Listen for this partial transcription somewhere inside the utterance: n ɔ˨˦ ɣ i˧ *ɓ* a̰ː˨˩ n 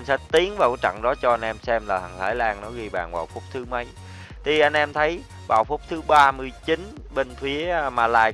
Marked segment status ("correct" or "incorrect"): correct